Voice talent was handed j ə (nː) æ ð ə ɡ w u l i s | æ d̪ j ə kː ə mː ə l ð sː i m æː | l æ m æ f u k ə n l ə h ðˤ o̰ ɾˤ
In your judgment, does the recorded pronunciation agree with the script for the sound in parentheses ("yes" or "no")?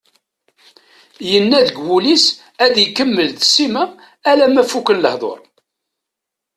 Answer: yes